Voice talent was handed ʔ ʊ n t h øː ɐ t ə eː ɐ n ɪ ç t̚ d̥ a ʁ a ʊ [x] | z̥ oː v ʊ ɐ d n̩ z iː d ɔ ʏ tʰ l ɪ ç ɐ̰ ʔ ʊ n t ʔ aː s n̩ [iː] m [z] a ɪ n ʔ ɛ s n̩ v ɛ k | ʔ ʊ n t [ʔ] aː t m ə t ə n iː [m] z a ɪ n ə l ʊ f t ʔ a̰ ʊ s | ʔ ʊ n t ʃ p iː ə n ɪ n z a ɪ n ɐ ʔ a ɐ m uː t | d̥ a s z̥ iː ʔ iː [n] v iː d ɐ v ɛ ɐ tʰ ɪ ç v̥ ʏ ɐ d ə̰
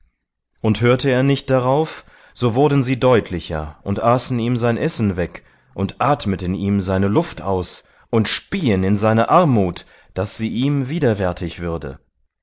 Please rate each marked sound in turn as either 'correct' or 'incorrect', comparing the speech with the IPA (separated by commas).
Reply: incorrect, correct, correct, correct, correct, incorrect